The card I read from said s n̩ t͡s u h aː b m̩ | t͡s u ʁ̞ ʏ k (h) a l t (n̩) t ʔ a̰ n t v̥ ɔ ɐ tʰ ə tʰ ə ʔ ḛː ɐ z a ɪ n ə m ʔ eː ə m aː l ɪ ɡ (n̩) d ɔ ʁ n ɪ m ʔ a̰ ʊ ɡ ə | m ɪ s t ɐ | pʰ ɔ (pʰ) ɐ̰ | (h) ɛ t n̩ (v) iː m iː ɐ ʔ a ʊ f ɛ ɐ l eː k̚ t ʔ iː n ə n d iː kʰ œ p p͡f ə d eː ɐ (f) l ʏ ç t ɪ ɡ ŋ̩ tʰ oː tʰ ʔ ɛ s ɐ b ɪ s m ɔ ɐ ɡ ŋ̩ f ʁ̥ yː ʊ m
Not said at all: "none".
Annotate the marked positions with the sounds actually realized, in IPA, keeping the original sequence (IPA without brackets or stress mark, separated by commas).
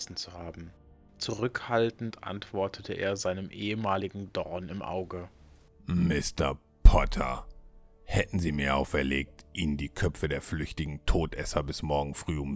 h, n̩, ŋ̩, tʰ, h, z, f